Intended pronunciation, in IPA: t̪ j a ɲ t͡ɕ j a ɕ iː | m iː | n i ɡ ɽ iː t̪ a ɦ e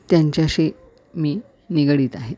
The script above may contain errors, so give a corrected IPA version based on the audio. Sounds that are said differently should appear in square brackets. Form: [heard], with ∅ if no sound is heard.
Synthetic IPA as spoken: t̪ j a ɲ t͡ɕ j a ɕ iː | m iː | n i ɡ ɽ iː t̪ a ɦ e